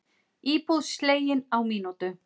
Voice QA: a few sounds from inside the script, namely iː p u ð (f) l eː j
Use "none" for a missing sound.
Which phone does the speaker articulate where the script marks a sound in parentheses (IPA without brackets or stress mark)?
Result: s